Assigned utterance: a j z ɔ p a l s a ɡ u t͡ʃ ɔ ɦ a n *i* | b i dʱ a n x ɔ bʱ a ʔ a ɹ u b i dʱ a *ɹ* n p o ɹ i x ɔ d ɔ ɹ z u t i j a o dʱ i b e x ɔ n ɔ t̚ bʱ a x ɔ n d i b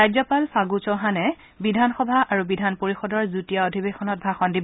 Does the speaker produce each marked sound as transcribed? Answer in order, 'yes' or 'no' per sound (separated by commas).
no, no